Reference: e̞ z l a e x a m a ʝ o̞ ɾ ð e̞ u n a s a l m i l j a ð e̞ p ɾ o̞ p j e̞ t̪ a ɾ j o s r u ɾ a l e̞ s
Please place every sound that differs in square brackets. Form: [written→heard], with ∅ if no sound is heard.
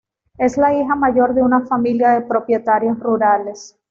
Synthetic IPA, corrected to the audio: e̞ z l a [e→i] x a m a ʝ o̞ ɾ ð e̞ u n a [s→f] a [l→∅] m i l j a ð e̞ p ɾ o̞ p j e̞ t̪ a ɾ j o s r u ɾ a l e̞ s